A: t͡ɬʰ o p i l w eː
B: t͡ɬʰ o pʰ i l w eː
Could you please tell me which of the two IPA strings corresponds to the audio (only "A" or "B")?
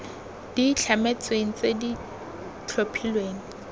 B